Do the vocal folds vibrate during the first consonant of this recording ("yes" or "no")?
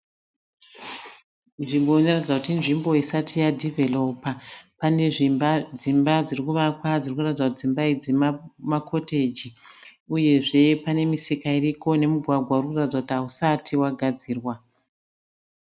yes